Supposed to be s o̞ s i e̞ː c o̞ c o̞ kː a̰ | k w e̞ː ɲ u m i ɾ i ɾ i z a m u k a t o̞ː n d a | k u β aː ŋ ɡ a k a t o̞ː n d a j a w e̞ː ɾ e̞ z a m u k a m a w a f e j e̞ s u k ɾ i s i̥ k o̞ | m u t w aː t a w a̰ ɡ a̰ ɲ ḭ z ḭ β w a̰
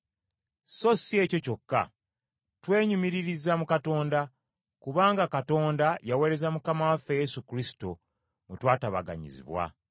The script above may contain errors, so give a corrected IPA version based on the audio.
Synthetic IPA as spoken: s o̞ s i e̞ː c o̞ c o̞ kː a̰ | t w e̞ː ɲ u m i ɾ i ɾ i z a m u k a t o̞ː n d a | k u β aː ŋ ɡ a k a t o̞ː n d a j a w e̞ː ɾ e̞ z a m u k a m a w a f e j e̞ s u k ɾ i s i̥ t o̞ | m u t w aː t a β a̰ ɡ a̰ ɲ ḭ z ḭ β w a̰